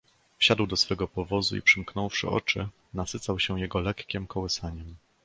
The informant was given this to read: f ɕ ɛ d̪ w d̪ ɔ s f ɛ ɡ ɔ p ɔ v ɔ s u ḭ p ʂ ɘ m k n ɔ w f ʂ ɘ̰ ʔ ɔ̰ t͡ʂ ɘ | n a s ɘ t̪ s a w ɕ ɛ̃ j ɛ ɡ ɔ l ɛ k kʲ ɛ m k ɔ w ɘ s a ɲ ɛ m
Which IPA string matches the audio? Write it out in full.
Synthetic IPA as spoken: f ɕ a d̪ w d̪ ɔ s f ɛ ɡ ɔ p ɔ v ɔ z u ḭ p ʂ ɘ m k n ɔ w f ʂ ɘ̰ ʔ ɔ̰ t͡ʂ ɘ | n a s ɘ t̪ s a w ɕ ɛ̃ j ɛ ɡ ɔ l ɛ k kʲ ɛ m k ɔ w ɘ s a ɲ ɛ m

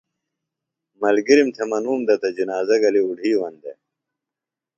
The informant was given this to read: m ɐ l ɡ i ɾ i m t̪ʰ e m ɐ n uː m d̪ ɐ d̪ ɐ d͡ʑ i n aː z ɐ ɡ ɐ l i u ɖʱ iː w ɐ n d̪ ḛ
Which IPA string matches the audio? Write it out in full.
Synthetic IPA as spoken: m ɐ l ɡ i ɾ i m t̪ʰ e m ɐ n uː m d̪ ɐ t̪ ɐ d͡ʑ i n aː z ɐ ɡ ɐ l i u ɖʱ iː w ɐ n d̪ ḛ

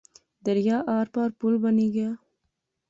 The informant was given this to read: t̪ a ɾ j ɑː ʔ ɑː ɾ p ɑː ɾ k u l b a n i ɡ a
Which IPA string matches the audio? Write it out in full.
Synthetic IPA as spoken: d̪ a ɾ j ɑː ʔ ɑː ɾ p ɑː ɾ p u l b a n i ɡ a

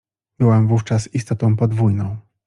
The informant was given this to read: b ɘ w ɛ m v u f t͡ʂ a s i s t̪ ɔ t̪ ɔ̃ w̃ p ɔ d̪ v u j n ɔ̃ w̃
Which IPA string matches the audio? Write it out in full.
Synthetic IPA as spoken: b ɘ w ɛ m v u f t͡ʂ a s i s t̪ ɔ t̪ ɔ̃ w̃ p ɔ d̪ v u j n ɔ̃ w̃

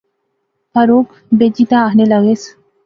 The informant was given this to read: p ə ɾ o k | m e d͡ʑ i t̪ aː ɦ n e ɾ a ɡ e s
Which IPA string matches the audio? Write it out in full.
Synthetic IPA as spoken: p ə ɾ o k | b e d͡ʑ i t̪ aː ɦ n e l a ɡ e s

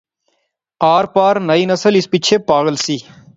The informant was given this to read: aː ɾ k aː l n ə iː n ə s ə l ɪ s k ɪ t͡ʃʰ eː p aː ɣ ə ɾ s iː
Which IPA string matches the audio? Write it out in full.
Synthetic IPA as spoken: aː ɾ p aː ɾ n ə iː n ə s ə l ɪ s p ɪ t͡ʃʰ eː p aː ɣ ə l s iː

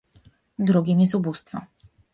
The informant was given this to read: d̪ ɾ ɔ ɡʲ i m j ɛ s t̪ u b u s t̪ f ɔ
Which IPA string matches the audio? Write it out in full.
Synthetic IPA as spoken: d̪ ɾ u ɡʲ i m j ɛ s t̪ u b u s t̪ f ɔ

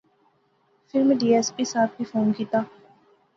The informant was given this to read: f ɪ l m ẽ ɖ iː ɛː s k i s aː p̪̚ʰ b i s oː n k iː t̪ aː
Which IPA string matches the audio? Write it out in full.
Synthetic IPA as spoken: f ɪ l m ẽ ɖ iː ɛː s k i s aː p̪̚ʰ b i f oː n k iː t̪ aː

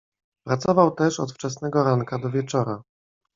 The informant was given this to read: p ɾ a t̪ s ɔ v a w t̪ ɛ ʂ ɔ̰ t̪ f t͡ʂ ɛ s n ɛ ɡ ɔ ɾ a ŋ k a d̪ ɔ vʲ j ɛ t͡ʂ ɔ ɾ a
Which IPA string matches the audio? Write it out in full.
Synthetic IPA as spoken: p ɾ a t̪ s ɔ v a w t̪ ɛ ʂ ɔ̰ t̪ f t͡ʂ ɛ s n ɛ ɡ ɔ ɾ a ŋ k a d̪ ɔ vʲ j ɛ t͡ʂ ɔ ɾ a

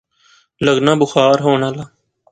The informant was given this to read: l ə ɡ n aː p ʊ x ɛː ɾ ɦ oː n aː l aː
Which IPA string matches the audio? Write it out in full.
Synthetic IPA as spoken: l ə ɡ n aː b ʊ x aː ɾ ɦ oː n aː l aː

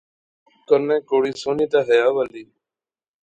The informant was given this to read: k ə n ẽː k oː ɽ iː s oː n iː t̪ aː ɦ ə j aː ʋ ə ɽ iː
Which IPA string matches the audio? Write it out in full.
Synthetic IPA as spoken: k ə n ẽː k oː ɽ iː s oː n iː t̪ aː ɦ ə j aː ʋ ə l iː

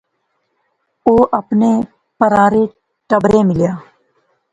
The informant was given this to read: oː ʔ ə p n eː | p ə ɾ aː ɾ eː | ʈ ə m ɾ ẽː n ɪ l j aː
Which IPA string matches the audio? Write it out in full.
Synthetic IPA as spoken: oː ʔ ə p n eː | p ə ɾ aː ɾ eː | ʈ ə b ɾ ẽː m ɪ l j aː

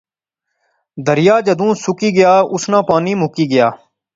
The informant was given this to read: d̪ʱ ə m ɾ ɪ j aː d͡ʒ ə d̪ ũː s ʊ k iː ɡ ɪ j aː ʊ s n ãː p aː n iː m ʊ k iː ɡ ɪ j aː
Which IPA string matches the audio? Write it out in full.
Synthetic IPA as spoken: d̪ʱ ə ɾ ɪ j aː d͡ʒ ə d̪ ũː s ʊ k iː ɡ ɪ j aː ʊ s n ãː p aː n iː m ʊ k iː ɡ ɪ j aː

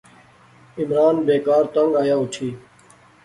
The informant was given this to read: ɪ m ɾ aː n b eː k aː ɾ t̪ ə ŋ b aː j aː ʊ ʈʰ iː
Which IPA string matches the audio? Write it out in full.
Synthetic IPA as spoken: ɪ m ɾ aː n b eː k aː ɾ t̪ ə ŋ ɡ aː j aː ʊ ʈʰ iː

